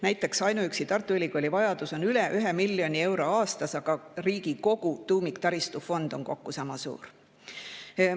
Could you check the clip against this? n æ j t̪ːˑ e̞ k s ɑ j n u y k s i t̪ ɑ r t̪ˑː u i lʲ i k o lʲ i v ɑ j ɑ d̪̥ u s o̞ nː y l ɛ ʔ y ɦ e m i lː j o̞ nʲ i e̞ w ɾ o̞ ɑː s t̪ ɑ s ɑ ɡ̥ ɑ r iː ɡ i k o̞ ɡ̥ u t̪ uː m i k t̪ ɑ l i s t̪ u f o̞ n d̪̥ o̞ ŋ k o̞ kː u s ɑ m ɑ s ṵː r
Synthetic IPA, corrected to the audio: n æ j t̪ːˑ e̞ k s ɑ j n u y k s i t̪ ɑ r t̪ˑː u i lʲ i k o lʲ i v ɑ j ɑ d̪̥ u s o̞ n y l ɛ ʔ y ɦ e m i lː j o̞ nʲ i e̞ w ɾ o̞ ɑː s t̪ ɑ s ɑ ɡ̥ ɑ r iː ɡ i k o̞ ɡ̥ u t̪ uː m i k t̪ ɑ ɾ i s t̪ u f o̞ n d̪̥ o̞ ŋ k o̞ kː u s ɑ m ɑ s ṵː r